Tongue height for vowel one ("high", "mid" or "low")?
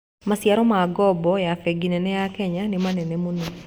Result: low